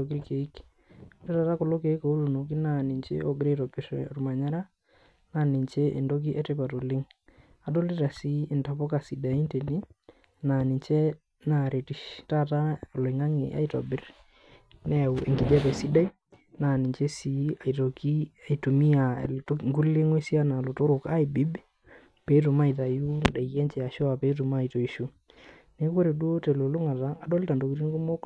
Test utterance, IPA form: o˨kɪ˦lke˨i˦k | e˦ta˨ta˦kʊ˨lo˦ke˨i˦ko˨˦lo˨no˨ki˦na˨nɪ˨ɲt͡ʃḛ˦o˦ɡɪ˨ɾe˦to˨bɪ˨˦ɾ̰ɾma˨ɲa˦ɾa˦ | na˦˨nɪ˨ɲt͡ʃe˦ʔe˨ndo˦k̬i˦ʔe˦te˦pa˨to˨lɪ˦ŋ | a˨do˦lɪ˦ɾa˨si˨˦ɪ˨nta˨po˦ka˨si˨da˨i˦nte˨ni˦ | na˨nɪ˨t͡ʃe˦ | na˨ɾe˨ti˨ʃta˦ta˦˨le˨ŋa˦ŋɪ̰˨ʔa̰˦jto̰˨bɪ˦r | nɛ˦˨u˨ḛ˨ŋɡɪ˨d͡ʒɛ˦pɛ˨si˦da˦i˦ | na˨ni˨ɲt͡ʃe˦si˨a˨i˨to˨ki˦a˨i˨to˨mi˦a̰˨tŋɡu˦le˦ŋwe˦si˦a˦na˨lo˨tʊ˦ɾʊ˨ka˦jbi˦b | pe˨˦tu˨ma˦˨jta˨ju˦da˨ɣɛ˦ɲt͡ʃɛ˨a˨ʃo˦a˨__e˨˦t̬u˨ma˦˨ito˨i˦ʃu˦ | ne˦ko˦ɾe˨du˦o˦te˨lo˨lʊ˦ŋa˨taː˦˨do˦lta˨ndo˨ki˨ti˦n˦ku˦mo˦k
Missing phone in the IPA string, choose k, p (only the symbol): p